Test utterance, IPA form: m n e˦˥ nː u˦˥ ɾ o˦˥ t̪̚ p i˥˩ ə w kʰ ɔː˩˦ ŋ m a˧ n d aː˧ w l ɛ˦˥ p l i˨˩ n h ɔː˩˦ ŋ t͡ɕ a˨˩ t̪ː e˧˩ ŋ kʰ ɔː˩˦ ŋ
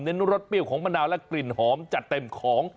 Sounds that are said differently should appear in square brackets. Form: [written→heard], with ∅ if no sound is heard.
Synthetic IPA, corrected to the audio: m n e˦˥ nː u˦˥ ɾ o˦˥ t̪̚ p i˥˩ ə w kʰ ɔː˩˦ ŋ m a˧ n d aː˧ w l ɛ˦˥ [p→k] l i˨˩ n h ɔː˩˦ [ŋ→m] t͡ɕ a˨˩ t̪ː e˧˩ [ŋ→m] kʰ ɔː˩˦ ŋ